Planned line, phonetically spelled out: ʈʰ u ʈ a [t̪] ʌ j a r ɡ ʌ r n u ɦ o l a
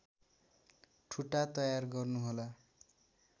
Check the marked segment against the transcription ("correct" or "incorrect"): correct